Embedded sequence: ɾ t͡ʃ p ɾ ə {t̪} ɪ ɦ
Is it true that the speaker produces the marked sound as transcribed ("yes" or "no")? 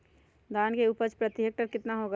yes